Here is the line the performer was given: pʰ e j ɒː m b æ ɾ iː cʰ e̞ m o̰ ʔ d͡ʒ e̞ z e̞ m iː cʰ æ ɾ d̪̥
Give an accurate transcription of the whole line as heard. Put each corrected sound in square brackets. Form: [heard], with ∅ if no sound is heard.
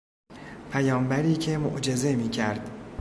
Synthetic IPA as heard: pʰ [æ] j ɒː m b æ ɾ iː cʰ e̞ m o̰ ʔ d͡ʒ e̞ z e̞ m iː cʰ æ ɾ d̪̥